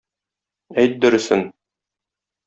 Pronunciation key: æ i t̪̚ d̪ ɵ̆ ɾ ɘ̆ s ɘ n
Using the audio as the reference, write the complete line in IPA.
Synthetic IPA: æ j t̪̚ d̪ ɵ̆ ɾ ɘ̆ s ɘ n